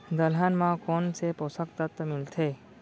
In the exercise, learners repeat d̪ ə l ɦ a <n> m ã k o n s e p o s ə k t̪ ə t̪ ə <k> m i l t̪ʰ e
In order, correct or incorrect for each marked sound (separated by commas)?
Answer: correct, incorrect